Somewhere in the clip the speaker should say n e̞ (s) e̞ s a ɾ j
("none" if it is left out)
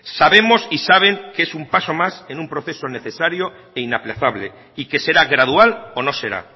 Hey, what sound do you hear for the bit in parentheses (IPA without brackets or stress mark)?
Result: θ